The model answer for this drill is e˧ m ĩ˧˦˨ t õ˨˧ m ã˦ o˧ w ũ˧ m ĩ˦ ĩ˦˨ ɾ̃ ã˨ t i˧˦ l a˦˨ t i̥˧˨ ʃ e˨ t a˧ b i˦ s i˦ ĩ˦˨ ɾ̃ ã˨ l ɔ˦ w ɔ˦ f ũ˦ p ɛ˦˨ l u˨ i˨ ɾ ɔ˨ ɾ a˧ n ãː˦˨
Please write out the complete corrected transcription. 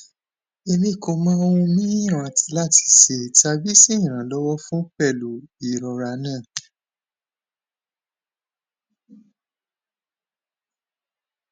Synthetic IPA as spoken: e˧ m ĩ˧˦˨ k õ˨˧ m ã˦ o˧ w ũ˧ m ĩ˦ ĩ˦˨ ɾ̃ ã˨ t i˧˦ l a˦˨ t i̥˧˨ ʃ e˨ t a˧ b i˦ s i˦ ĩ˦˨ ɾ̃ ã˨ l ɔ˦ w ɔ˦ f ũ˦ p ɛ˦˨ l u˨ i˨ ɾ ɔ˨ ɾ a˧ n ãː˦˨